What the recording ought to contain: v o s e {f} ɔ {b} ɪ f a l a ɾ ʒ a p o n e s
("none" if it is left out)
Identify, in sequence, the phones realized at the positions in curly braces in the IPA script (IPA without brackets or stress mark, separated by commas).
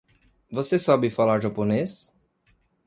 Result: s, b